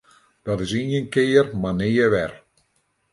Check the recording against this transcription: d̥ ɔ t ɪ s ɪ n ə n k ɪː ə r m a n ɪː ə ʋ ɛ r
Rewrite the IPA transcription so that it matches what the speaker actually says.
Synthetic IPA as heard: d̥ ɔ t ɪ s i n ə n k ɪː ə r m a n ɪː ə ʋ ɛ r

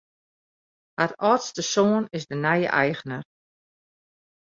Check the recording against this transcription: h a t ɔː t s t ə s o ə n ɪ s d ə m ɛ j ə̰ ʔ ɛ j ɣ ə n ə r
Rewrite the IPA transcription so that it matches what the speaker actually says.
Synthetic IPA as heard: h a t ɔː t s t ə s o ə n ɪ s d ə n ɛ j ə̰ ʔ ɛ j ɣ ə n ə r

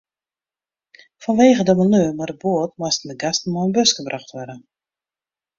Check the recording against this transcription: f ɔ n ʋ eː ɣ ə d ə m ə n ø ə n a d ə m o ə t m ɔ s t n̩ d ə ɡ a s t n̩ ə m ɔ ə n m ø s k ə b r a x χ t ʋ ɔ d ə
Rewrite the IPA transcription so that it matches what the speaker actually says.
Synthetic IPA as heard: f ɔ n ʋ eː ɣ ə d ə m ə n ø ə m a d ə b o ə t m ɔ s t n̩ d ə ɡ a s t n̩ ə m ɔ ə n b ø s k ə b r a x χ t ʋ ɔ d ə

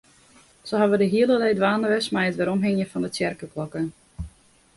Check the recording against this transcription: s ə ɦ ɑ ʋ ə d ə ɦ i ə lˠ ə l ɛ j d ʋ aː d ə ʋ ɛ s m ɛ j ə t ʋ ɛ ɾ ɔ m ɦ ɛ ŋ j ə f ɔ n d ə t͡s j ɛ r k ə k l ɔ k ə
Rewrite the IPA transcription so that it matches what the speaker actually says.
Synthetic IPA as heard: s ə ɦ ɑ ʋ ə d ə ɦ i ə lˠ ə l ɛ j d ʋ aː n ə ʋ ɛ s m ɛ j ə t ʋ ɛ ɾ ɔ m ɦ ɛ ŋ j ə f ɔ n d ə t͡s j ɛ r k ə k l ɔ k ə

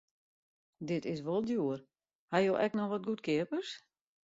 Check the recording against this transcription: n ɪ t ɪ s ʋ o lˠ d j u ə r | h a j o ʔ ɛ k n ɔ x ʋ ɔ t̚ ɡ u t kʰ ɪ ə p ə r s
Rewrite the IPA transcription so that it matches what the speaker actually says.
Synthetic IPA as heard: d ɪ t ɪ s ʋ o lˠ d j u ə r | h a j o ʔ ɛ k n ɔ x ʋ ɔ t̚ ɡ u t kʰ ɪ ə p ə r s

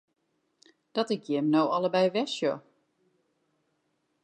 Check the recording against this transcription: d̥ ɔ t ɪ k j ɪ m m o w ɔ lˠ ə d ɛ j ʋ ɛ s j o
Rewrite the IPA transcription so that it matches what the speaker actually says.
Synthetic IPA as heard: d̥ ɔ t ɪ k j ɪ m n o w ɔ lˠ ə b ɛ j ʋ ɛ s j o

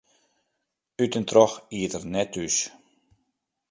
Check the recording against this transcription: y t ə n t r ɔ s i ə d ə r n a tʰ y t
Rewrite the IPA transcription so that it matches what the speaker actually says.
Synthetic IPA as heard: y t ə n t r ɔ x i ə t ə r n ɛ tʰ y s

